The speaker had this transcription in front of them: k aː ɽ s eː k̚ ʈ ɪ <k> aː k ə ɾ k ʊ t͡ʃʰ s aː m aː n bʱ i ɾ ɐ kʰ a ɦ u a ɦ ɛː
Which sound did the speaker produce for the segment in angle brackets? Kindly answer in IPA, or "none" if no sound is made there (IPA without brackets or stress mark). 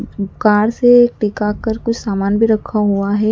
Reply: k